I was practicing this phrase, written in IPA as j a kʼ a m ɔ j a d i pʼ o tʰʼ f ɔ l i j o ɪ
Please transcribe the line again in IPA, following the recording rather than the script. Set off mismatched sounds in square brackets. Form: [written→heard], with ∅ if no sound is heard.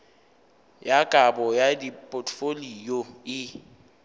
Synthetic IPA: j a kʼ a [m→b] ɔ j a d i pʼ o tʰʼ f [ɔ→o] l i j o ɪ